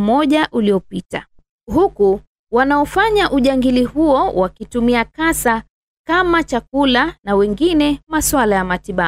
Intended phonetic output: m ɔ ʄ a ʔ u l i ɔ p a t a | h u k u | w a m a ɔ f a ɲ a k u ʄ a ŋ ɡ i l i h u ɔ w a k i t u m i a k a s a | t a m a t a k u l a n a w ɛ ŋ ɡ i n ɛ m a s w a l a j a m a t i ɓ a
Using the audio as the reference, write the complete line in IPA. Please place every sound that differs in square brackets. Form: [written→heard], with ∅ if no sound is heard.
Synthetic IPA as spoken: m ɔ ʄ a ʔ u l i ɔ p [a→i] t a | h u k u | w a [m→n] a ɔ f a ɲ a [k→ʔ] u ʄ a ŋ ɡ i l i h u ɔ w a k i t u m i a k a s a | [t→k] a m a [t→t͡ʃ] a k u l a n a w ɛ ŋ ɡ i n ɛ m a s w a l a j a m a t i ɓ a